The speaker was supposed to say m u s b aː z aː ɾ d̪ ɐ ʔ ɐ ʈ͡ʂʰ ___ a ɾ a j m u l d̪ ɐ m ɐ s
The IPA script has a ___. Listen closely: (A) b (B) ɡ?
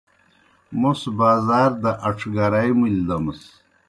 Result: B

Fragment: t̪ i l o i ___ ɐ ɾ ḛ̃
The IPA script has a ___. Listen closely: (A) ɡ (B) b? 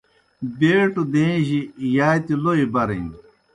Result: B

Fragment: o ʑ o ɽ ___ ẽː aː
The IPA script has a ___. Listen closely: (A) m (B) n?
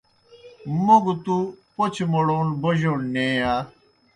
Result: B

